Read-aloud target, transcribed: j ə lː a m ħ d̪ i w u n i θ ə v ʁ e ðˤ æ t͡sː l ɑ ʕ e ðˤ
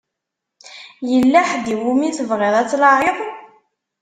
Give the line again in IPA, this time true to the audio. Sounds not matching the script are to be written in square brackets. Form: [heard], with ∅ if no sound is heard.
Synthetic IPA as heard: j ə lː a [∅] ħ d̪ i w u [m] i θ ə v ʁ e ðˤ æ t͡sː l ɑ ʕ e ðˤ